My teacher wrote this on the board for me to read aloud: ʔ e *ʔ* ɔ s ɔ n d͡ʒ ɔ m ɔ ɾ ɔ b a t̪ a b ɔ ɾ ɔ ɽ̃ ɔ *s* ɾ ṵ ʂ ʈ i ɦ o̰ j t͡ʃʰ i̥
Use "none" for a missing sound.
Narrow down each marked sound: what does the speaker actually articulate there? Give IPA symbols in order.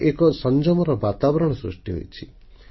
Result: k, s

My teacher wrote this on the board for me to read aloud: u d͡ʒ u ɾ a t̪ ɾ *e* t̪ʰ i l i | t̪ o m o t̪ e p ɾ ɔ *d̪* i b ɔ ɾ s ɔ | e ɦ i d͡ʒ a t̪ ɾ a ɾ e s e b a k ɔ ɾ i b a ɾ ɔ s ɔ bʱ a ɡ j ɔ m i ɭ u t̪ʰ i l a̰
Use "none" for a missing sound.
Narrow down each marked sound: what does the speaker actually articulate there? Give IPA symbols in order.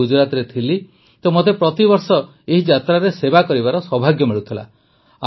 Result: e, t̪

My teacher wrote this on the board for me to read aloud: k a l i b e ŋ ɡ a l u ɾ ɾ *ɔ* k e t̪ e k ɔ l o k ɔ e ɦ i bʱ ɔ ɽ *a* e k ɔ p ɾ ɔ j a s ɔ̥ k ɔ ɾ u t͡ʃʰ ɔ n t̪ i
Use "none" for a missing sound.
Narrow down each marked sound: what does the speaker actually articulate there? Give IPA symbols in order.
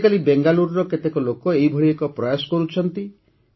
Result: ɔ, i

